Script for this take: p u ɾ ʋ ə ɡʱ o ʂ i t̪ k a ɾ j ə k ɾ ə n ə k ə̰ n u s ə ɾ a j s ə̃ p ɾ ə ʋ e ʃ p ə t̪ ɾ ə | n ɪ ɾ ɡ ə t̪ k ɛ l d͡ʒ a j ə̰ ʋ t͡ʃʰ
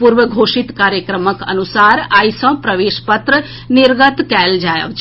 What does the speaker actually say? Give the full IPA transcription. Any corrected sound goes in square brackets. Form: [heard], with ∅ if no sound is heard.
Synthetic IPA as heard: p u ɾ ʋ ə ɡʱ o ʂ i t̪ k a ɾ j ə k ɾ ə [m] ə k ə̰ n u s [a] ɾ a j s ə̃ p ɾ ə ʋ e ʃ p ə t̪ ɾ ə | n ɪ ɾ ɡ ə t̪ k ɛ l d͡ʒ a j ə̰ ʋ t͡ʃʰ